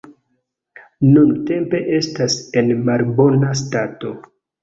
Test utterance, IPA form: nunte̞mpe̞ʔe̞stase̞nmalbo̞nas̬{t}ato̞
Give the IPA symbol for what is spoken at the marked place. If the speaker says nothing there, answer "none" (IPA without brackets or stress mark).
t